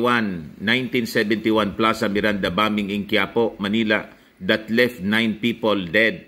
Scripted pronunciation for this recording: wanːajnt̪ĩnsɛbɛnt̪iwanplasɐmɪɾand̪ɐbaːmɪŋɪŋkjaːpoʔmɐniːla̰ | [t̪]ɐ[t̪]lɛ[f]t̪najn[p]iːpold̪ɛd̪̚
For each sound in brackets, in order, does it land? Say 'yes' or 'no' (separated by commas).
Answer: no, yes, yes, yes